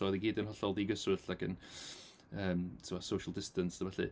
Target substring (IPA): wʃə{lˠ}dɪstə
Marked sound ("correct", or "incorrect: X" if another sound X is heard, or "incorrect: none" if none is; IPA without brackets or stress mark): correct